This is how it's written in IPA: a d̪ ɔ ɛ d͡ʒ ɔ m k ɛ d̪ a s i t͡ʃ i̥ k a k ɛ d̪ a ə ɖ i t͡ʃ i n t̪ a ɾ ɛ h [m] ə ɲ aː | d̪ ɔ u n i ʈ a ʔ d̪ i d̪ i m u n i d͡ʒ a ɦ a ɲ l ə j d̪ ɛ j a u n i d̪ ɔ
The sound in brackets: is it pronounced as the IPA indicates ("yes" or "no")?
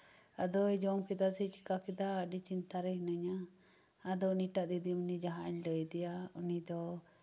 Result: no